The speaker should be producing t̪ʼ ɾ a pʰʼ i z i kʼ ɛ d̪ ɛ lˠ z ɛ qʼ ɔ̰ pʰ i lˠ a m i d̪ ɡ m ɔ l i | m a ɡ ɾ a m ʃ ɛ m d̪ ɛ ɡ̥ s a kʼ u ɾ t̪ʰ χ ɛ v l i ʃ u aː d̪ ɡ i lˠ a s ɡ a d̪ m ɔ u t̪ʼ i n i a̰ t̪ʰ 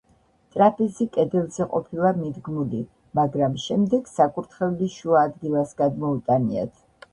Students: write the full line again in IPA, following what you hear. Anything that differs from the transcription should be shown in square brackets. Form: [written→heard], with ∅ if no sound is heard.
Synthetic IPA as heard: t̪ʼ ɾ a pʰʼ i z i kʼ ɛ d̪ ɛ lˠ z ɛ qʼ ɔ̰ pʰ i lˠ a m i d̪ ɡ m [ɔ→u] l i | m a ɡ ɾ a m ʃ ɛ m d̪ ɛ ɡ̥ s a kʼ u ɾ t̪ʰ χ ɛ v l i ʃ u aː d̪ ɡ i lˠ a s ɡ a d̪ m ɔ u t̪ʼ [i→a] n i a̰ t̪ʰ